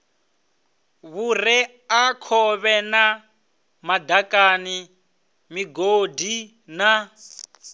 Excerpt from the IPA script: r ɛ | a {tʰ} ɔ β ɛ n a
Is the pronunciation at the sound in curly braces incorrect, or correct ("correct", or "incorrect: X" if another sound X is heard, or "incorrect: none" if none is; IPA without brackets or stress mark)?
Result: incorrect: kʰ